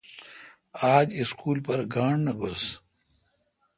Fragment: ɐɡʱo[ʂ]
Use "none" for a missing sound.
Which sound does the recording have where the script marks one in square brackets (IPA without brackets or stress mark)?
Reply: s